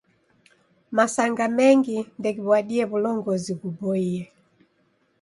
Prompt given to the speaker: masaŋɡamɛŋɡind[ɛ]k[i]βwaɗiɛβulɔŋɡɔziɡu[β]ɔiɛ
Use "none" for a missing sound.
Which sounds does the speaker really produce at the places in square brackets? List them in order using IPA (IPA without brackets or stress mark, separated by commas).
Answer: ɛ, i, b